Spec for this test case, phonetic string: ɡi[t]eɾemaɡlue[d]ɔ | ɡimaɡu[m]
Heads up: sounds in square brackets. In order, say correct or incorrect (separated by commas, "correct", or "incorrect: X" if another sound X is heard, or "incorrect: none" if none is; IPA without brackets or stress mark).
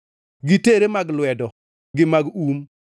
correct, correct, correct